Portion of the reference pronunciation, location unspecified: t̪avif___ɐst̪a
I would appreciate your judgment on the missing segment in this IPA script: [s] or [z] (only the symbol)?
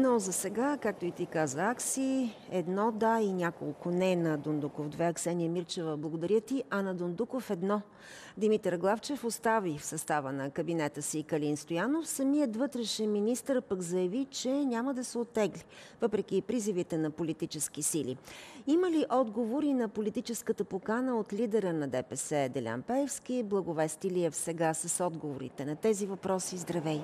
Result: s